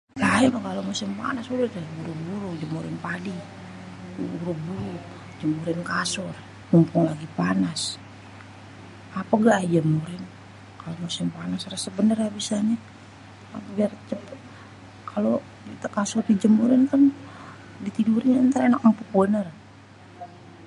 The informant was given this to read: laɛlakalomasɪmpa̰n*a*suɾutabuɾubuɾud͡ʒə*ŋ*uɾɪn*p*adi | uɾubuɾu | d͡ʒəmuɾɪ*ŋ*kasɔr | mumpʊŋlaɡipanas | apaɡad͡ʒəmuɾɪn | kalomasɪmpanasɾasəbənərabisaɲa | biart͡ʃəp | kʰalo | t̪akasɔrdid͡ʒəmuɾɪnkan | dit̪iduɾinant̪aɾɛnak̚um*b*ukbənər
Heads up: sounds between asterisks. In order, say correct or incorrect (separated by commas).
correct, incorrect, correct, incorrect, incorrect